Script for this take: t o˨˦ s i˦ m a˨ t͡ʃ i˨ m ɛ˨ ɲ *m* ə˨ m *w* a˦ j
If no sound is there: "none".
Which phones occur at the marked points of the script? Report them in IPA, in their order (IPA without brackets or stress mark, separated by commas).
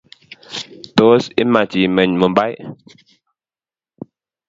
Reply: m, b